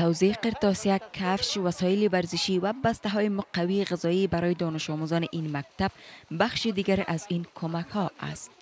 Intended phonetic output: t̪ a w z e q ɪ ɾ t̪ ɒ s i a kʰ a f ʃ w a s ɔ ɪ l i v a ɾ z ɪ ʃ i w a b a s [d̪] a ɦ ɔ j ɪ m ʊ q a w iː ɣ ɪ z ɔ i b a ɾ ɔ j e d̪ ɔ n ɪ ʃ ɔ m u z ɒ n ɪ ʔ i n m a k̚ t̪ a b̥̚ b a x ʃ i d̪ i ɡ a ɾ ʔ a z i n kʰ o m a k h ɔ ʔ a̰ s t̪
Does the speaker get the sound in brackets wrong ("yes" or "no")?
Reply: yes